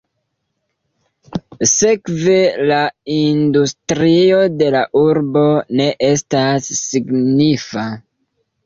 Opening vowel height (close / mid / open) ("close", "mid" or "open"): mid